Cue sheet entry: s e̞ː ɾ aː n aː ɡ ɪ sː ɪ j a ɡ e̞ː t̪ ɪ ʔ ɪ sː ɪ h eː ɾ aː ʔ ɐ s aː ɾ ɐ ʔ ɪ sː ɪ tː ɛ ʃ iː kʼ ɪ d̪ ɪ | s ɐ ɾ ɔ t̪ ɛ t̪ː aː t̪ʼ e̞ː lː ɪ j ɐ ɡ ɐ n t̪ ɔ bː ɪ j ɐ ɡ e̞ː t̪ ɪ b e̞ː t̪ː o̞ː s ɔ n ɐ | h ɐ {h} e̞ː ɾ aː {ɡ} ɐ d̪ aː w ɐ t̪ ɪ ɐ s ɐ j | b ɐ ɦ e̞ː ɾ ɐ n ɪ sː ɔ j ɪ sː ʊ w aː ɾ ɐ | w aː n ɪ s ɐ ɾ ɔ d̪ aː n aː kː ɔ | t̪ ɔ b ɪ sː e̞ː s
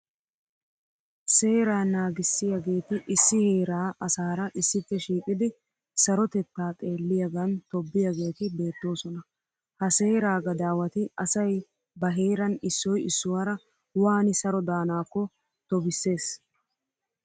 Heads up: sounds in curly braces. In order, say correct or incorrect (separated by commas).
incorrect, correct